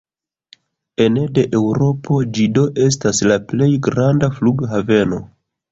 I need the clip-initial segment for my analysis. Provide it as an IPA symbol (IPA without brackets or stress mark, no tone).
e̞